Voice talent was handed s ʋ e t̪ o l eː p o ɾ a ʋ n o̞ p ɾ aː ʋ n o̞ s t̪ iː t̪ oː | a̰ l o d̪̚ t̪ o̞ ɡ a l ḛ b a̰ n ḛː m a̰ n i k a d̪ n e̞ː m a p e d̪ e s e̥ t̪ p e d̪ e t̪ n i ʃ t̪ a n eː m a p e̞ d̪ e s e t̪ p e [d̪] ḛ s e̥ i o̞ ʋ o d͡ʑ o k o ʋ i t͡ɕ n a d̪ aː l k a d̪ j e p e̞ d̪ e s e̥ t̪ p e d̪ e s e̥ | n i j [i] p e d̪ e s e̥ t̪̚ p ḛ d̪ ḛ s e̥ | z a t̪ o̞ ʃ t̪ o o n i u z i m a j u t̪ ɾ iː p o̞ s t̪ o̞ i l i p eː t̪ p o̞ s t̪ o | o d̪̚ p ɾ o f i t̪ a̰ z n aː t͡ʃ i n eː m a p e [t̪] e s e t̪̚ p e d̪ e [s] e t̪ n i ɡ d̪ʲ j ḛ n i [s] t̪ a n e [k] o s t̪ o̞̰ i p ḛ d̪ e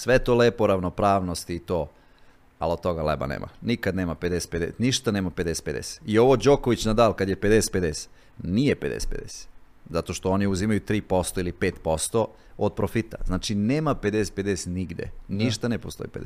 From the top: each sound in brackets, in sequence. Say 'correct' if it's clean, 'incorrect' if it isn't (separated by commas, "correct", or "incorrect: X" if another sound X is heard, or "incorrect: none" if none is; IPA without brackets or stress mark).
correct, incorrect: e, incorrect: d̪, correct, incorrect: ʃ, incorrect: p